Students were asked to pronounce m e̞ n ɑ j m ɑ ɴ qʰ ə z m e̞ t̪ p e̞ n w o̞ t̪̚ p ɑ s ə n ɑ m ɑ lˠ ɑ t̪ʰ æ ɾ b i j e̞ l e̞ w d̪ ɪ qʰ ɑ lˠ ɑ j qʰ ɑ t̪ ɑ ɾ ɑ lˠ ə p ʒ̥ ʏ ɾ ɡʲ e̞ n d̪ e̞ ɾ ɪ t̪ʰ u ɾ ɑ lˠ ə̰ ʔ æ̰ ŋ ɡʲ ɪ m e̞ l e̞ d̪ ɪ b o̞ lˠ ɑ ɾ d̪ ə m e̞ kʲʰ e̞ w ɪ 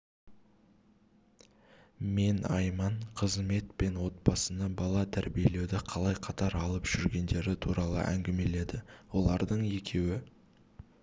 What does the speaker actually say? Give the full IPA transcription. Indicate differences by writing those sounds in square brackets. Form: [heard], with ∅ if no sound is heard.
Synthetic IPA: m e̞ n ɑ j m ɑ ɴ qʰ ə z m e̞ t̪ p e̞ n w o̞ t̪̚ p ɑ s ə n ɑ [b] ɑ lˠ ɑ t̪ʰ æ ɾ b i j e̞ l e̞ w d̪ ɪ qʰ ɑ lˠ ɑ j qʰ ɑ t̪ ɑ ɾ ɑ lˠ ə p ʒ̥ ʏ ɾ ɡʲ e̞ n d̪ e̞ ɾ ɪ t̪ʰ u ɾ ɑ lˠ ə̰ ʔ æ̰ ŋ ɡʲ ɪ m e̞ l e̞ d̪ ɪ [w] o̞ lˠ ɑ ɾ d̪ ə [ɴ] e̞ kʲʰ e̞ w ɪ

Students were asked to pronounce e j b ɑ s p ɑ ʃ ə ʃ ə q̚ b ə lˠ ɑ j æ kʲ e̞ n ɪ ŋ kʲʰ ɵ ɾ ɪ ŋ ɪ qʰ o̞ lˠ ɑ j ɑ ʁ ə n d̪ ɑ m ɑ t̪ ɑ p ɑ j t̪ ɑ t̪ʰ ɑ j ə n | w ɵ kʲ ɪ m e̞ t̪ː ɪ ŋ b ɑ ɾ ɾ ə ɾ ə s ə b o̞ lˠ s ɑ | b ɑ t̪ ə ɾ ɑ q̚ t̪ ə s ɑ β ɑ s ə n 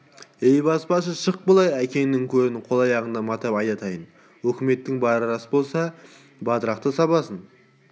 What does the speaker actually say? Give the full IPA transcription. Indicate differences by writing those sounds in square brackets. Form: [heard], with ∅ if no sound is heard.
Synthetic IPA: e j b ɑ s p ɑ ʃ ə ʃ ə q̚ b ə lˠ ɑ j æ kʲ e̞ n ɪ ŋ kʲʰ ɵ ɾ ɪ [n] ɪ qʰ o̞ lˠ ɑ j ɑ ʁ ə n d̪ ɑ m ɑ t̪ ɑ p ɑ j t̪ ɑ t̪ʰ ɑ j ə n | w ɵ kʲ ɪ m e̞ t̪ː ɪ ŋ b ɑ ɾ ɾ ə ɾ [ɑ] s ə b o̞ lˠ s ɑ | b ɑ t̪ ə ɾ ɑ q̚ t̪ ə s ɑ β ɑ s ə n

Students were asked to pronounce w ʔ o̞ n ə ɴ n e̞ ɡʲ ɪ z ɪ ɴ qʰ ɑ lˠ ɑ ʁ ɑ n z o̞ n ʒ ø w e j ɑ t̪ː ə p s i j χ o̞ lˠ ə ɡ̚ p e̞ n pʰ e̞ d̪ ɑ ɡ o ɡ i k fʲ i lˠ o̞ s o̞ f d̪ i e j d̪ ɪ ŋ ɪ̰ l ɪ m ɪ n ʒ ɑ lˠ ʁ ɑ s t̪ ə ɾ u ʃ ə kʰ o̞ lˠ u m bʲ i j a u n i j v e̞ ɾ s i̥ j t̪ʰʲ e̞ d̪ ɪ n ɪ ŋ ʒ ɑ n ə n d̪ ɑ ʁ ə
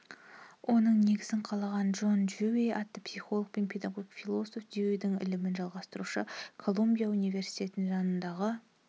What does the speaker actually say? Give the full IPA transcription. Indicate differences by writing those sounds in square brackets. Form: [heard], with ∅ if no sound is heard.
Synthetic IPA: w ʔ o̞ n ə ɴ n e̞ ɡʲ ɪ z ɪ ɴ qʰ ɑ lˠ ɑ ʁ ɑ n [ʒ] o̞ n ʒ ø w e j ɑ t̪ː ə p s i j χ o̞ lˠ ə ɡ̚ p e̞ n pʰ e̞ d̪ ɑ ɡ o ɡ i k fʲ i lˠ o̞ s o̞ f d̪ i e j d̪ ɪ ŋ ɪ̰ l ɪ m ɪ n ʒ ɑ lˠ ʁ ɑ s t̪ ə ɾ u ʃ ə kʰ o̞ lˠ u m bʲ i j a u n i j v e̞ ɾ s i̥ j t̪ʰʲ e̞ [t̪] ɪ n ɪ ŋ ʒ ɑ n ə n d̪ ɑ ʁ ə

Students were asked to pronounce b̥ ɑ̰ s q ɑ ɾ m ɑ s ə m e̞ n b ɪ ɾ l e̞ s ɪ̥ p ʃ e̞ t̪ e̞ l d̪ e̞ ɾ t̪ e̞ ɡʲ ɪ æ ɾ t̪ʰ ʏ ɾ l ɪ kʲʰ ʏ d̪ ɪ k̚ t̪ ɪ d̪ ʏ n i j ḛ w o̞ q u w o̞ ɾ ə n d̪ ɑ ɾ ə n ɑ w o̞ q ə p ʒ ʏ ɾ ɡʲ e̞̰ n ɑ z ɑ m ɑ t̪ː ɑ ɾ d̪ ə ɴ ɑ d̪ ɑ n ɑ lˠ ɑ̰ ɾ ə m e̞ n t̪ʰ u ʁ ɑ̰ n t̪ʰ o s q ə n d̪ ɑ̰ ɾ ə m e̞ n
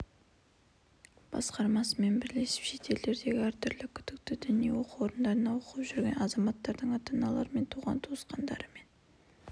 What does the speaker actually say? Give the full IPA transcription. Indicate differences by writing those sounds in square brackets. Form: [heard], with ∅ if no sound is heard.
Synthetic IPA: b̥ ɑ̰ s q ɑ ɾ m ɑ s ə m e̞ n b ɪ ɾ l e̞ s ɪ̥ p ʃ e̞ t̪ e̞ l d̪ e̞ ɾ [d̪] e̞ ɡʲ ɪ æ ɾ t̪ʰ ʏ ɾ l ɪ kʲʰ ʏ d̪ ɪ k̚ t̪ ɪ d̪ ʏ n i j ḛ w o̞ q u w o̞ ɾ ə n d̪ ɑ ɾ ə n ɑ w o̞ q ə p ʒ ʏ ɾ ɡʲ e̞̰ n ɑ z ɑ m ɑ t̪ː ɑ ɾ d̪ ə ɴ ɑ [t̪] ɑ n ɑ lˠ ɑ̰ ɾ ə m e̞ n t̪ʰ u ʁ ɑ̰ n t̪ʰ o s q [ɑ] n d̪ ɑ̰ ɾ ə m e̞ n

